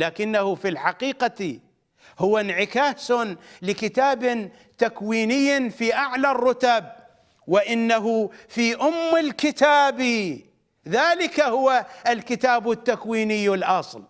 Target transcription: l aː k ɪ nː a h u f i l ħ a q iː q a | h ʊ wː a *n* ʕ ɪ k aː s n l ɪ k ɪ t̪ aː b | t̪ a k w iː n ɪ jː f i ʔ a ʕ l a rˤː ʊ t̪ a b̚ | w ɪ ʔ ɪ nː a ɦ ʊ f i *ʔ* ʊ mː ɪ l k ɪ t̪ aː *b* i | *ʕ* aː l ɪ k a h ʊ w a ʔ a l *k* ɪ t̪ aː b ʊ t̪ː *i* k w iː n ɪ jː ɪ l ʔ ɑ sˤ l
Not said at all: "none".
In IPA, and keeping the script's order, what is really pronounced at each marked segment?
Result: n, ʔ, b, ð, k, a

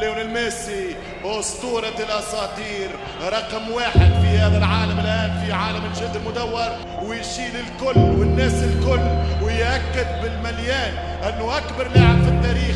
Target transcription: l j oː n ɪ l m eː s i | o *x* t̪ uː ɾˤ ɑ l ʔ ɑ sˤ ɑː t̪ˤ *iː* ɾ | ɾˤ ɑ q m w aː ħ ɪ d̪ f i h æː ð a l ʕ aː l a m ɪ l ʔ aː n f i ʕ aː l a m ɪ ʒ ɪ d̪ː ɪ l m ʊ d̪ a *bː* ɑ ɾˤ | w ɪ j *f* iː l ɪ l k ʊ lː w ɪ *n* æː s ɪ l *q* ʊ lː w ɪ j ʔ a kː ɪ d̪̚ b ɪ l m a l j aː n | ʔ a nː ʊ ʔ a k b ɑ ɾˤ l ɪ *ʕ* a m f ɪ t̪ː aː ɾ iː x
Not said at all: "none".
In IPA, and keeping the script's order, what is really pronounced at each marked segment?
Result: s, iː, wː, ʃ, nː, k, ʕ

